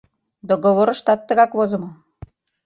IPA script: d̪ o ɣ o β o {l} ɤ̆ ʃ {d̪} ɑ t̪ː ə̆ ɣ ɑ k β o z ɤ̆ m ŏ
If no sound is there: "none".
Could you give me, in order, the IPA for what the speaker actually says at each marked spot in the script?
ɾ, t̪

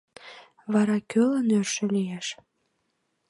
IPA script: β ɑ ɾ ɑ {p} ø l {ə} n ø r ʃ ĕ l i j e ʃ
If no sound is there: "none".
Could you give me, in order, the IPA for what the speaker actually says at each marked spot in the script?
k, ə

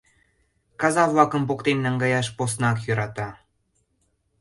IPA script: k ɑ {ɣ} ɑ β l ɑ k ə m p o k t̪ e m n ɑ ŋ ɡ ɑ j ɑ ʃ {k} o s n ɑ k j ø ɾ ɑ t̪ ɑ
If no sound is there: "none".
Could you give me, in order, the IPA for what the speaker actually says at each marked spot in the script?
z, p

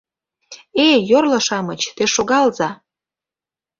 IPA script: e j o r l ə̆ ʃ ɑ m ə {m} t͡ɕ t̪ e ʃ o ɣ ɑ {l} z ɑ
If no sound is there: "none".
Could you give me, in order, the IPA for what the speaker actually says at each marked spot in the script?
none, l

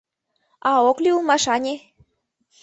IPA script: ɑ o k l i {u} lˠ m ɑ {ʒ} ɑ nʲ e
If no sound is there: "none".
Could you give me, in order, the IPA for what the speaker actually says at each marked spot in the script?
u, ʃ

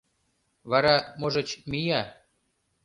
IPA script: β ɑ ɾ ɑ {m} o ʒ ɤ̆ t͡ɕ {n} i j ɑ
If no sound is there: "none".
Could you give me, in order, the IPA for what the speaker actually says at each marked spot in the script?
m, m

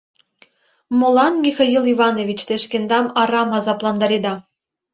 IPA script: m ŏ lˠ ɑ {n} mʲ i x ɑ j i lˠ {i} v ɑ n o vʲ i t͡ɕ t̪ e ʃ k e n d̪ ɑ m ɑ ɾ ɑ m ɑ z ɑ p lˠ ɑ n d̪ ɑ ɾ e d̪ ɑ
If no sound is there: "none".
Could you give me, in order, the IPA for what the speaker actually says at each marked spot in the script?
n, i

